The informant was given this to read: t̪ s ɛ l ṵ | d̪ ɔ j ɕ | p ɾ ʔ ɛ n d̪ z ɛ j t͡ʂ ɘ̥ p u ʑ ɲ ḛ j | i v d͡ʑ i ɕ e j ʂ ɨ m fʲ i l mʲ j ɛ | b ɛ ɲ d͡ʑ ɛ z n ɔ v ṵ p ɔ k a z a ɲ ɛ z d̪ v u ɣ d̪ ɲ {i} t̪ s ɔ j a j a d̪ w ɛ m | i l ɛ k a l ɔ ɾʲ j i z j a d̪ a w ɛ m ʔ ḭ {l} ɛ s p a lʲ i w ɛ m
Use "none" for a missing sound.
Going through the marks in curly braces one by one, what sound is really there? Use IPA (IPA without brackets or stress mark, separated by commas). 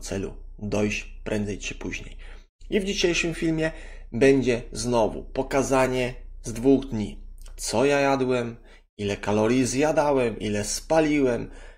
i, l